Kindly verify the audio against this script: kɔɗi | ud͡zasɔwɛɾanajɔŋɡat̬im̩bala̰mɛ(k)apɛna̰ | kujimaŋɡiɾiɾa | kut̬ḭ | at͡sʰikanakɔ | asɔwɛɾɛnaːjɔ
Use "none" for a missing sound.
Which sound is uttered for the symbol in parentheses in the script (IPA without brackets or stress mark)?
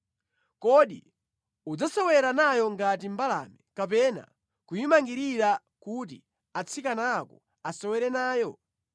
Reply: k